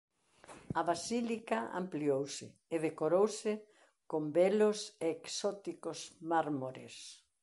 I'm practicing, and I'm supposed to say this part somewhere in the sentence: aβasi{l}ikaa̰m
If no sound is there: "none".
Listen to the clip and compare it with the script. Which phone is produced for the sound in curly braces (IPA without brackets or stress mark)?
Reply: l